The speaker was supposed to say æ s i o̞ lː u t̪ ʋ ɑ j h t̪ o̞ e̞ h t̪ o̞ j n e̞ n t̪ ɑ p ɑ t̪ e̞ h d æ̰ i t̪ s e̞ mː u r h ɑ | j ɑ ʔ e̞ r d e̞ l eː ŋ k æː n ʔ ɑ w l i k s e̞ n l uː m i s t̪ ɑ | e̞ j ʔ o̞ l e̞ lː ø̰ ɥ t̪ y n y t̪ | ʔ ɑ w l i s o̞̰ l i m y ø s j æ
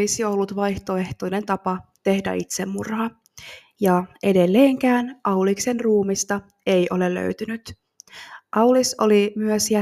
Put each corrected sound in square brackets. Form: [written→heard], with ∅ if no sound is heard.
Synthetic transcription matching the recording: [æ→i] s i o̞ lː u t̪ ʋ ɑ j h t̪ o̞ e̞ h t̪ o̞ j n e̞ n t̪ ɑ p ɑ t̪ e̞ h d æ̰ i t̪ s e̞ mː u r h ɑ | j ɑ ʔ e̞ [r→∅] d e̞ [l→lː] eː ŋ k æː n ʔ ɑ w l i k s e̞ n [l→r] uː m i s t̪ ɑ | e̞ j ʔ o̞ l e̞ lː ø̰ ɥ t̪ y n y t̪ | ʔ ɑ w l i s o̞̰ l i m y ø s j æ